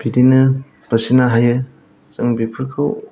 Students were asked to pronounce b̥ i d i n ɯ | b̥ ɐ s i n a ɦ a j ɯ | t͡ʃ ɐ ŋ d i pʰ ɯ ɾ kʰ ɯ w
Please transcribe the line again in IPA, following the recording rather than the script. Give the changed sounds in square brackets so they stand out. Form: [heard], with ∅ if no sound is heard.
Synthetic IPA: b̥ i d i n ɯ | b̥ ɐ s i n a ɦ a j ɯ | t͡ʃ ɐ ŋ [b] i pʰ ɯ ɾ kʰ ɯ w